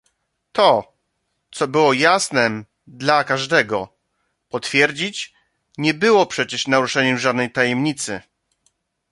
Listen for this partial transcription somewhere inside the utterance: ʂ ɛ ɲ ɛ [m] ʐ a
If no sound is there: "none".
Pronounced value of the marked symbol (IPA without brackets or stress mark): m